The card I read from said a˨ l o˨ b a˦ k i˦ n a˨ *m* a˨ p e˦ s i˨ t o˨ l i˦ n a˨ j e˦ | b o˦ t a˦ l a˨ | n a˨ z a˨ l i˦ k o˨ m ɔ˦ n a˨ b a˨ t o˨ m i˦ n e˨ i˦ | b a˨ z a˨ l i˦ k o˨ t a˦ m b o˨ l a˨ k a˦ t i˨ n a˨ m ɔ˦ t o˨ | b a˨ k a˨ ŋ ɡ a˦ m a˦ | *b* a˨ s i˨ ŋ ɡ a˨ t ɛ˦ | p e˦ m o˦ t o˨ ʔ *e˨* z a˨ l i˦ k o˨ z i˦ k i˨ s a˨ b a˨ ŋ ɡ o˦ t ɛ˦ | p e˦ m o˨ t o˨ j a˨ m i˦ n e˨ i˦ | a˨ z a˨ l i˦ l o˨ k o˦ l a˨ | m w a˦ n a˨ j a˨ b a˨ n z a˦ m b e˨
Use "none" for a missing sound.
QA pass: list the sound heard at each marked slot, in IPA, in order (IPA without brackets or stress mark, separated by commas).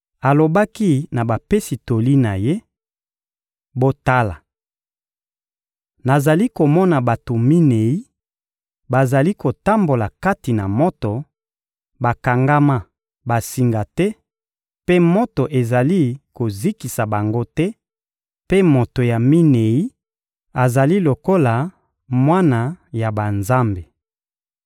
b, b, e˨